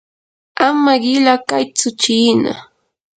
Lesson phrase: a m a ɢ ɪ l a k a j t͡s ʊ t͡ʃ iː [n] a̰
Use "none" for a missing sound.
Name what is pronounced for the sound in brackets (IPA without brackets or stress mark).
n